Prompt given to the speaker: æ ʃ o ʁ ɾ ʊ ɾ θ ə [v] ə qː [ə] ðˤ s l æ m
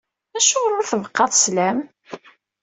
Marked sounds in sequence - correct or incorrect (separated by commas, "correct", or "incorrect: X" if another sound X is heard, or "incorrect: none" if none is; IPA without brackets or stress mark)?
correct, incorrect: ɑ